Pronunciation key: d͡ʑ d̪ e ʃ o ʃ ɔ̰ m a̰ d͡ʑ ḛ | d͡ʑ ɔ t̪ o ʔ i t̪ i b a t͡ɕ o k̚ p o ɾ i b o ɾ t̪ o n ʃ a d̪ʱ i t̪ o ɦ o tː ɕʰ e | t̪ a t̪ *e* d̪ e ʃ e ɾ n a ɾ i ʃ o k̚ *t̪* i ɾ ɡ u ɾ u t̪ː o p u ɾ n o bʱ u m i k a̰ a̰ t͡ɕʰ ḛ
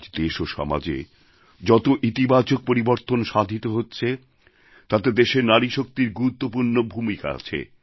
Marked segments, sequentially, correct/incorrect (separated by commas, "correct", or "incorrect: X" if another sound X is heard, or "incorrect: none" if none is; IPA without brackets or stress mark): correct, correct